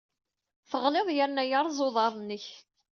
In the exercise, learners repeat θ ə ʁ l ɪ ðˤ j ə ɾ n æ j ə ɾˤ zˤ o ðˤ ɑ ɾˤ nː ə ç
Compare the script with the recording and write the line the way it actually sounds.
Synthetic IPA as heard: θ ə ʁ l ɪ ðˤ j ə ɾ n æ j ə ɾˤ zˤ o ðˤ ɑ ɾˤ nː ə ç